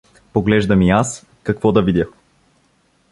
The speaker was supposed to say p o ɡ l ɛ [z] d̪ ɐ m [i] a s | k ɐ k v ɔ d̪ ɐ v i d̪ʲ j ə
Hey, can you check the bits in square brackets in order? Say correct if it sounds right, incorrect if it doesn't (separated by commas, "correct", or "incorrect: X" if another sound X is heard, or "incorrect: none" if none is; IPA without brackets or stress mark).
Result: incorrect: ʒ, correct